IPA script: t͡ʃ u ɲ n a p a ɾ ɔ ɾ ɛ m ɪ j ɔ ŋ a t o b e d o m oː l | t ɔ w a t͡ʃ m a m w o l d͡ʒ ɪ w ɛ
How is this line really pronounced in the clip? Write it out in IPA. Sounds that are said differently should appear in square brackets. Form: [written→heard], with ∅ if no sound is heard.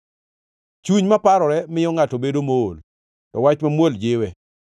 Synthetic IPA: t͡ʃ u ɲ [n→m] a p a ɾ ɔ ɾ ɛ m ɪ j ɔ ŋ a t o b e d o m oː l | t ɔ w a t͡ʃ m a m w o l d͡ʒ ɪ w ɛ

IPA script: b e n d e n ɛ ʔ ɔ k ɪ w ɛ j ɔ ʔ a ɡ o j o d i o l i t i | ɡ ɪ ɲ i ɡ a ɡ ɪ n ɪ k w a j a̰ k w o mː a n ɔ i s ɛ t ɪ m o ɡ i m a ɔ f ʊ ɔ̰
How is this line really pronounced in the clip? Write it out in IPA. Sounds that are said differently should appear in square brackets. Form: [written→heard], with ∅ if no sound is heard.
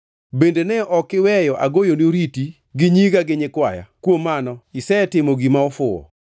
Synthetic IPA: b e n d e n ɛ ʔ ɔ k ɪ w ɛ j ɔ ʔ a ɡ o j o [d→n] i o [l→ɾ] i t i | ɡ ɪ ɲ i ɡ a ɡ ɪ [n→ɲ] ɪ k w a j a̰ k w o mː a n ɔ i s ɛ t ɪ m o ɡ i m a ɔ f ʊ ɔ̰

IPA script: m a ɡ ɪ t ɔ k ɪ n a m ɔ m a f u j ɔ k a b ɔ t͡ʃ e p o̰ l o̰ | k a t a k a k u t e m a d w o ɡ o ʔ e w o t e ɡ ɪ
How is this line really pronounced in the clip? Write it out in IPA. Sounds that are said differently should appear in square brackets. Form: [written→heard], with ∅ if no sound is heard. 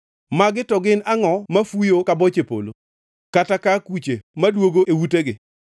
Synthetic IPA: m a ɡ ɪ t ɔ [k→ɡ] ɪ n a [m→ŋ] ɔ m a f u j [ɔ→o] k a b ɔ t͡ʃ e p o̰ l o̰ | k a t a k a k u [t→t͡ʃ] e m a d w o ɡ o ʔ e w [o→u] t e ɡ ɪ

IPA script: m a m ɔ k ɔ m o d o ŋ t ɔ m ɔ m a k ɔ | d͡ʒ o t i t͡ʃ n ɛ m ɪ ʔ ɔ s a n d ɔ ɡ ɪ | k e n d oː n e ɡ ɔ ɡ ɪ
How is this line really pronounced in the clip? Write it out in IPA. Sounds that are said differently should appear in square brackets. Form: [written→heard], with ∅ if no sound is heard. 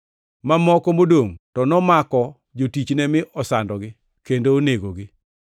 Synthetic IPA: m a m ɔ k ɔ m o d o ŋ t ɔ [m→n] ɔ m a k ɔ | d͡ʒ o t i t͡ʃ n ɛ m ɪ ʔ ɔ s a n d ɔ ɡ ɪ | k e n d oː n e ɡ [ɔ→o] ɡ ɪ

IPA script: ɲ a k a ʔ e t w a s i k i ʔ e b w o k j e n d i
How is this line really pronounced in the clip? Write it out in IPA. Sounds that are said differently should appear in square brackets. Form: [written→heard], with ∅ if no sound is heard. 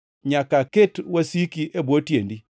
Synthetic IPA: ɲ a k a [ʔ→k] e t w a s i k i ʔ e b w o [k→t] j e n d i

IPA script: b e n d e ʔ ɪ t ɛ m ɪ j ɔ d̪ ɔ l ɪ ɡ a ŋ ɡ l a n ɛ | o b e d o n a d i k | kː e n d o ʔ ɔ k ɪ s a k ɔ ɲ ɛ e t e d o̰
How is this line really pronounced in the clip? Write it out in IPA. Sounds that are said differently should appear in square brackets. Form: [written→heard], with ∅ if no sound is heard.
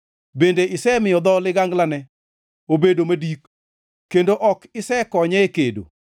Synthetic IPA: b e n d e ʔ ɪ [t→s] ɛ m ɪ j ɔ d̪ ɔ l ɪ ɡ a ŋ ɡ l a n ɛ | o b e d o [n→m] a d i k | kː e n d o ʔ ɔ k ɪ s [a→ɛ] k ɔ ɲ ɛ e [t→k] e d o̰

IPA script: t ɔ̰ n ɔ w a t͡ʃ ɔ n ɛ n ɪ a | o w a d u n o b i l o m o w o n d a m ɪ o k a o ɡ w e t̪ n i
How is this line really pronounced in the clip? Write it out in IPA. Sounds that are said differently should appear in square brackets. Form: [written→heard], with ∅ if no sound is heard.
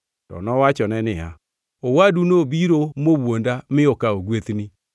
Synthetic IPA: t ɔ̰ n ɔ w a t͡ʃ ɔ n ɛ n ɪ a | o w a d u n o b i [l→ɾ] o m o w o n d a m ɪ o k a o ɡ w e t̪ n i

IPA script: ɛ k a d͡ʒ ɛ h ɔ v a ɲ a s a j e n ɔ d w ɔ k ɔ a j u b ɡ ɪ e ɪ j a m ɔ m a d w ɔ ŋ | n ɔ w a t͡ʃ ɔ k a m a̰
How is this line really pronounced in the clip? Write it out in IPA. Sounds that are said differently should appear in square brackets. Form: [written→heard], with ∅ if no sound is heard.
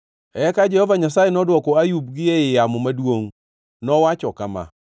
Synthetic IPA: ɛ k a d͡ʒ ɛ h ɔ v a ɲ a s a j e n ɔ d w ɔ k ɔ a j u b ɡ ɪ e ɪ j a m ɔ m a d w [ɔ→o] ŋ | n ɔ w a t͡ʃ ɔ k a m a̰

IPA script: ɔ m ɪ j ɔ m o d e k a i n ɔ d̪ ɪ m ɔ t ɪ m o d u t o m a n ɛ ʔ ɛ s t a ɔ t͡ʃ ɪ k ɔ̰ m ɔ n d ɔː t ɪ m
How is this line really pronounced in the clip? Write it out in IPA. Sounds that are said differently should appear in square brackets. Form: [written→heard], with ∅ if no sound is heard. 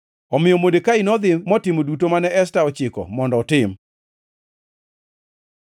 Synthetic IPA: ɔ m ɪ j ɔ m o d e k a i n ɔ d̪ ɪ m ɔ t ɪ m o d u t o m a n ɛ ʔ ɛ s t a ɔ t͡ʃ ɪ k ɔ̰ m ɔ n d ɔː t ɪ m

